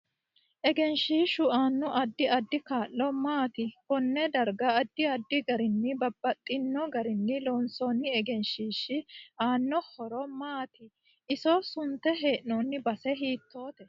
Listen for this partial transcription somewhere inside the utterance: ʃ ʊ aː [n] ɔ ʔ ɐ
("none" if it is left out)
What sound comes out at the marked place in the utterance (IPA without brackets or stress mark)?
nː